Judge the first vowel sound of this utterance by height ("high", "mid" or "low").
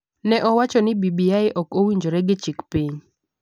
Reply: mid